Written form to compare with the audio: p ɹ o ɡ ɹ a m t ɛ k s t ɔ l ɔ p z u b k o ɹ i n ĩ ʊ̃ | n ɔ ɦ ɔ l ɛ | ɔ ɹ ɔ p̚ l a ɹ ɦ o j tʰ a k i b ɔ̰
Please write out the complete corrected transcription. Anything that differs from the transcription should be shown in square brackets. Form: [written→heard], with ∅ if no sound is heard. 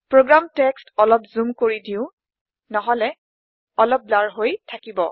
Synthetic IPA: p ɹ o ɡ ɹ a m t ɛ k s t ɔ l ɔ p z u [b→m] k o ɹ i [n→d] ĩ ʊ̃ | n ɔ ɦ ɔ l ɛ | ɔ [ɹ→l] ɔ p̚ l a ɹ ɦ o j tʰ a k i b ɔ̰